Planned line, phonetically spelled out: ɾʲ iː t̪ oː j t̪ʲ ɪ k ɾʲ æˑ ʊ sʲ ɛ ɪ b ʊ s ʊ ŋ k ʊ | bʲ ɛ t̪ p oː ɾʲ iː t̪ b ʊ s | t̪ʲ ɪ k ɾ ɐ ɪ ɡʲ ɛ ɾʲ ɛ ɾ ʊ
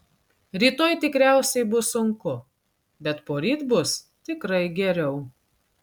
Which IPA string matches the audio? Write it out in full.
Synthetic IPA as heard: ɾʲ iː t̪ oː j t̪ʲ ɪ k ɾʲ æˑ ʊ sʲ ɛ ɪ b ʊ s ʊ ŋ k ʊ | bʲ ɛ t̪ p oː ɾʲ iː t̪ b ʊ s | t̪ʲ ɪ k ɾ ɐ ɪ ɡʲ ɛ ɾʲ ɛ ʊ